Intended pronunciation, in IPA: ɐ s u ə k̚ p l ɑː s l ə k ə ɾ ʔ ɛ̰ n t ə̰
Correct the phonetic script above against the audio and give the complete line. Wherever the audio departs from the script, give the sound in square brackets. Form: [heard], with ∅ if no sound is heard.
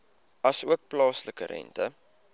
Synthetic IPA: ɐ s u ə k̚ p l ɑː s l ə k ə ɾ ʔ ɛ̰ n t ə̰

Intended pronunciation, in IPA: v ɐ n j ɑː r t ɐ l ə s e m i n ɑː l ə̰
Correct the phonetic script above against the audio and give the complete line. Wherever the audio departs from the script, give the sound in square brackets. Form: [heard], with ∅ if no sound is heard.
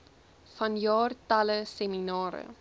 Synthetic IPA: [f] ɐ n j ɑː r t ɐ l ə s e m i n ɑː [ɾ] ə̰

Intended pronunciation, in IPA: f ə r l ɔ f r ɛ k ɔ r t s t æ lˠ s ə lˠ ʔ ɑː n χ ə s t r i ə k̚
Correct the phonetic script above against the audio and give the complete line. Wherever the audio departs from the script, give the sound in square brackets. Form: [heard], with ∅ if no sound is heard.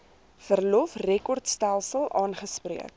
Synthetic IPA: f ə r l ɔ f r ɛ k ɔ r t s t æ lˠ s ə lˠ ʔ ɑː n χ ə s [p] r i ə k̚

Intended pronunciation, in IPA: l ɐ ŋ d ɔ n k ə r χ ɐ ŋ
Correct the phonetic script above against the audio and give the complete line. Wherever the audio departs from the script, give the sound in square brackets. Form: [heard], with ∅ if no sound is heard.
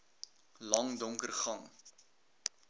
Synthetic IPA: l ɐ ŋ d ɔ [ŋ] k ə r χ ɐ ŋ

